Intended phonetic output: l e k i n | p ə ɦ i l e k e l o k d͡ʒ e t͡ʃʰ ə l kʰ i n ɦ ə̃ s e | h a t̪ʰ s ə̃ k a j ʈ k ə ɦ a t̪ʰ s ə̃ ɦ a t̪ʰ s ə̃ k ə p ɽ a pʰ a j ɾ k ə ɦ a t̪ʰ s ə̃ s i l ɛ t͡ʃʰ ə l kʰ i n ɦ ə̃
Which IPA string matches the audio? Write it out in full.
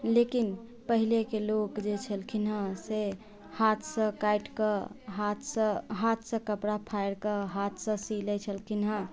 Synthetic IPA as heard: l e k i n | p ə ɦ i l e k e l o k d͡ʒ e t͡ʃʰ ə l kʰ i n ɦ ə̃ s e | h a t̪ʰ s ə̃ k a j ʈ k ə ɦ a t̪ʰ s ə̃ ɦ a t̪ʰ s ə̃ k ə p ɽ a pʰ a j ɾ k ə ɦ a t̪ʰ s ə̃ s i l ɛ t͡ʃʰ ə l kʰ i n ɦ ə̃